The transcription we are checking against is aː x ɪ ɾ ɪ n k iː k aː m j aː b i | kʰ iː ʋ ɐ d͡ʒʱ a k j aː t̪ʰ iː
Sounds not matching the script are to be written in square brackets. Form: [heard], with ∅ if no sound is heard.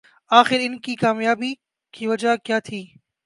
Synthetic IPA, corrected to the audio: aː x ɪ ɾ ɪ n k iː k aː m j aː b i | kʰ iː ʋ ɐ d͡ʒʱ a k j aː t̪ʰ iː

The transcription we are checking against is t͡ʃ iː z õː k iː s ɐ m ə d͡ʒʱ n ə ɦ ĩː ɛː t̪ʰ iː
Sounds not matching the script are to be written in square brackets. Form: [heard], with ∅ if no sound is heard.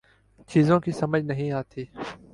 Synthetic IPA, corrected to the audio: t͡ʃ iː z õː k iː s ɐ m ə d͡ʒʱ n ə ɦ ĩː [aː] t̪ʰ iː

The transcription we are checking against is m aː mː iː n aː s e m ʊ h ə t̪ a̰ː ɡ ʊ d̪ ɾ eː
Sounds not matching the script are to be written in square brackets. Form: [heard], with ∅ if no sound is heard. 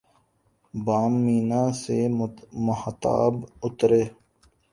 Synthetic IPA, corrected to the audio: [b] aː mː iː n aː s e m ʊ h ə t̪ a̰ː [b] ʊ [t̪] ɾ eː

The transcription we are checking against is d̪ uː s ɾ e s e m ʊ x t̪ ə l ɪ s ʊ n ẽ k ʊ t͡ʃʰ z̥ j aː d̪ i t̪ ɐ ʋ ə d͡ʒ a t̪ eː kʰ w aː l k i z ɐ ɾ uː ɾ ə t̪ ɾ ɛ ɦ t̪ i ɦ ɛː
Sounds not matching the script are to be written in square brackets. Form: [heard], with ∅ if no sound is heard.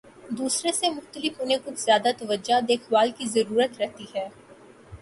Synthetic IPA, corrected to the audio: d̪ uː s ɾ e s e m ʊ x t̪ ə l ɪ [f] ʊ n ẽ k ʊ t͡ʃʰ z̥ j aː d̪ [a] t̪ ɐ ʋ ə d͡ʒ a [d̪] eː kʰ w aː l k i z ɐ ɾ uː ɾ ə t̪ ɾ ɛ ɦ t̪ i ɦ ɛː

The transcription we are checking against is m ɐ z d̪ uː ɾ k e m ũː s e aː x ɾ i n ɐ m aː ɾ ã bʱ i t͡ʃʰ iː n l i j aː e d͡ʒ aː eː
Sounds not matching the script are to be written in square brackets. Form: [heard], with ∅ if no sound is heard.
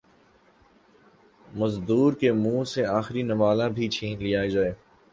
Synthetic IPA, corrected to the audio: m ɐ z d̪ uː ɾ k e m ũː s e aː x ɾ i n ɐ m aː [l] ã bʱ i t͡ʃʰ iː n l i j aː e d͡ʒ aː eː

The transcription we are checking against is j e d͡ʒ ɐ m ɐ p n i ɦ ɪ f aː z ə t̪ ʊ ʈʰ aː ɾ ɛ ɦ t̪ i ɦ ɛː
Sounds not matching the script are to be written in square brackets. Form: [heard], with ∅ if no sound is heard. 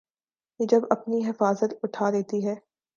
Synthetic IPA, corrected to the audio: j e d͡ʒ ɐ [b] ɐ p n i ɦ ɪ f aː z ə t̪ ʊ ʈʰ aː ɾ ɛ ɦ t̪ i ɦ ɛː

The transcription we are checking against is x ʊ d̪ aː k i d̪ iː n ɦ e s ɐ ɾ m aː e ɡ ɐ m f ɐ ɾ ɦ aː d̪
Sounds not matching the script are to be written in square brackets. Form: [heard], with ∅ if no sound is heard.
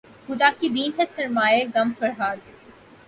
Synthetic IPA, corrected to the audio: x ʊ d̪ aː k i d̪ iː n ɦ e s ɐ ɾ m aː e ɡ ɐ m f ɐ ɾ ɦ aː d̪

